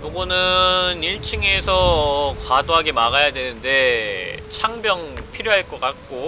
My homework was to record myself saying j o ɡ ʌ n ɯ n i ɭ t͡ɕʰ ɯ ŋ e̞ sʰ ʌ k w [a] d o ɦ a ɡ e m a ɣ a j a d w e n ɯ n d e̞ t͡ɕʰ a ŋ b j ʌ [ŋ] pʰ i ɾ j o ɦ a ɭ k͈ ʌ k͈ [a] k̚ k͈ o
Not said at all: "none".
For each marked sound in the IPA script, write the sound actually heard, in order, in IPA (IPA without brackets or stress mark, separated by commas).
a, ŋ, a